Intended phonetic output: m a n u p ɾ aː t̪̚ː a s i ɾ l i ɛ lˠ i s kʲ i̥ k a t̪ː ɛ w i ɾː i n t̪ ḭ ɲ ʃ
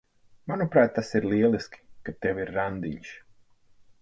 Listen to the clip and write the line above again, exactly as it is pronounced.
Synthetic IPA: m a n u p ɾ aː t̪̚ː a s i ɾ l i ɛ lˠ i s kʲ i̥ k a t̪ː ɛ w i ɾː a n d̪ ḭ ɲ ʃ

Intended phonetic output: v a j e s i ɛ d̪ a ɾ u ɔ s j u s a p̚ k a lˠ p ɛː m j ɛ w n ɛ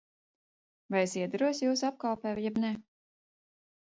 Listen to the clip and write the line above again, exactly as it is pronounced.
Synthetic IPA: v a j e s i ɛ d̪ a ɾ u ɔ s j uː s a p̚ k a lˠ p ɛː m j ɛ b n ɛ

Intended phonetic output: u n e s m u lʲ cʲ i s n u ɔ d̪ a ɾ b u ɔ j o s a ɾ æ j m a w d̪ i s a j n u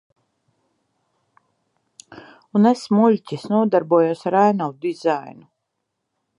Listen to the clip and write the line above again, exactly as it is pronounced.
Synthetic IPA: u n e s m u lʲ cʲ i s n u ɔ d̪ a ɾ b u ɔ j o s a ɾ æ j n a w d̪ i z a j n u

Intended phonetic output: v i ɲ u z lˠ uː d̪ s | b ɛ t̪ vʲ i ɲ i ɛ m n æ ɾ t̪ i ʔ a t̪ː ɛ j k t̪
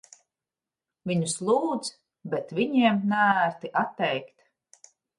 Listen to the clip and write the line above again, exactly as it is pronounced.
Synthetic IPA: v i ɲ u s lˠ uː d̪ z | b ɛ t̪ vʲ i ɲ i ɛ m n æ ɾ t̪ i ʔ a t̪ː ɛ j k t̪

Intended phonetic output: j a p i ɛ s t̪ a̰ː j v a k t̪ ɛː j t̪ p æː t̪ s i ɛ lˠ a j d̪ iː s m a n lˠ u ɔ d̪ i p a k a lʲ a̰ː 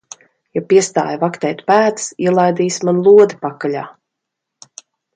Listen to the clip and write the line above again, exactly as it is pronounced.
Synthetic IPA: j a p i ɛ s t̪ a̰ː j v a k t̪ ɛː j t̪ p æː t̪ s i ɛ lˠ a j d̪ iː s m a n lˠ u ɔ d̪ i p a k a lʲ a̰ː

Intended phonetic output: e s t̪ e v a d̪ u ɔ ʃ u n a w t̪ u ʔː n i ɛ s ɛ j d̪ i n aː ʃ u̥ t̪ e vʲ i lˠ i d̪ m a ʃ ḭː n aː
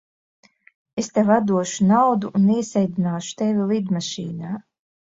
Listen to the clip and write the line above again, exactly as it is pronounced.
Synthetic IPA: e s t̪ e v a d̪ u ɔ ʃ u n a w d̪ u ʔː n i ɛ s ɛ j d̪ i n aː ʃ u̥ t̪ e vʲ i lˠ i d̪ m a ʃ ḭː n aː

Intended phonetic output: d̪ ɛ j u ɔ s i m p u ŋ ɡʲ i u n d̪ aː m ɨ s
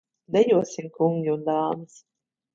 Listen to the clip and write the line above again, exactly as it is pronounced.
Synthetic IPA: d̪ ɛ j u ɔ s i m k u ŋ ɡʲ i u n d̪ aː m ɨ s

